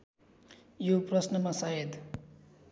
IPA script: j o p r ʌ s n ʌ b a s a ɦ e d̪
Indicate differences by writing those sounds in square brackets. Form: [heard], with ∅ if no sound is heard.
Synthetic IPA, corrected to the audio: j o p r ʌ s n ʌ [m] a s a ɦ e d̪

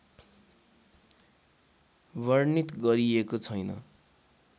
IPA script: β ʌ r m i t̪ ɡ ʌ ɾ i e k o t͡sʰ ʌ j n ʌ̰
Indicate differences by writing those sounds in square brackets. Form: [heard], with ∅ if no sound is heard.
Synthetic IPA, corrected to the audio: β ʌ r [n] i t̪ ɡ ʌ ɾ i e k o t͡sʰ ʌ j n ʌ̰

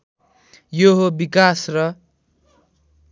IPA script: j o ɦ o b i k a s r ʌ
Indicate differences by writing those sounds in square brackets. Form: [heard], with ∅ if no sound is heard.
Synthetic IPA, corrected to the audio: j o ɦ o b i k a s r ʌ

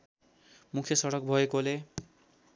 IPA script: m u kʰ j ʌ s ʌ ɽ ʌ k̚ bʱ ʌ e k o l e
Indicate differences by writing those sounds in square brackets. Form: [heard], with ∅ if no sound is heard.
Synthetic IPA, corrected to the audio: m u kʰ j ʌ s ʌ ɽ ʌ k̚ bʱ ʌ e k o l e

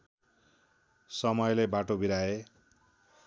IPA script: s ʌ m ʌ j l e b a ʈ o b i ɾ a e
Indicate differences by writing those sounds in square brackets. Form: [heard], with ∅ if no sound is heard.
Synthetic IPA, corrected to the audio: s ʌ m ʌ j l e b a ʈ o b i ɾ a e

